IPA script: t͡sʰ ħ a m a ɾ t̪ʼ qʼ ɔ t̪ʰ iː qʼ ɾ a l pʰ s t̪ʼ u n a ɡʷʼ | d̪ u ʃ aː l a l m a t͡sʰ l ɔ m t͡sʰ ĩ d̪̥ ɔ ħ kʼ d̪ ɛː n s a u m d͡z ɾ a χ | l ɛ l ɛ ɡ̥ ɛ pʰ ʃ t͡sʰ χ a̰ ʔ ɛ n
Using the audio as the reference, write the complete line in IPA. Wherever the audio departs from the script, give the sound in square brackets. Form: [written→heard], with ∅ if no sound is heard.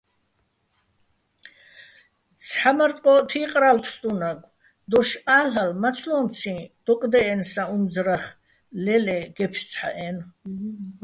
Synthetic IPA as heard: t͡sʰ ħ a m a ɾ t̪ʼ qʼ ɔ t̪ʰ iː qʼ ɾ a l pʰ s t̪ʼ u n a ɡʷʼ | d̪ [u→ɔ] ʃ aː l a l m a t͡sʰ l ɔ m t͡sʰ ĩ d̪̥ ɔ [ħ→∅] kʼ d̪ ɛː n s a u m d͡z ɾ a χ | l ɛ l ɛ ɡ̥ ɛ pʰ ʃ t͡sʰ [χ→ħ] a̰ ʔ ɛ n